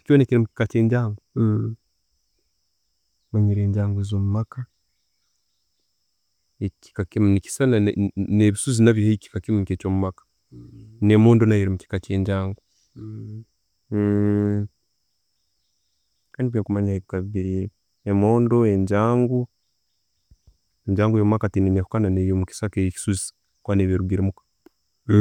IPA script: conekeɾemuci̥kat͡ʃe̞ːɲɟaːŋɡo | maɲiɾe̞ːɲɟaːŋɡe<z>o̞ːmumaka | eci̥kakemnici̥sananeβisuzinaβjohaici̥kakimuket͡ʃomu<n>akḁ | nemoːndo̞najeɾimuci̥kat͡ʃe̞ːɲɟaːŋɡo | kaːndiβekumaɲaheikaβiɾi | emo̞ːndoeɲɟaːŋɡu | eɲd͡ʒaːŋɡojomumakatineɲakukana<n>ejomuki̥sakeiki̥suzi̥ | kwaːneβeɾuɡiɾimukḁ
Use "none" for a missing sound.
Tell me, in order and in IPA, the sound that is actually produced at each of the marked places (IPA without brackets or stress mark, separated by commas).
z, m, n